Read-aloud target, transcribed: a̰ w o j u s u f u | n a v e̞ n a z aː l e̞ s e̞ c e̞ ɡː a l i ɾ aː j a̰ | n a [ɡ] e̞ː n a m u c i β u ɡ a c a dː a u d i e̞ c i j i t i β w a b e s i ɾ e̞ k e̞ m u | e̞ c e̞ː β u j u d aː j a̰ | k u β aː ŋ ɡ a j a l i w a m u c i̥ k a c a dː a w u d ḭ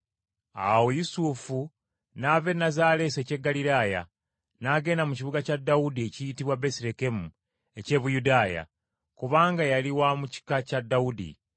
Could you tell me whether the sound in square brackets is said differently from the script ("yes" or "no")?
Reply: no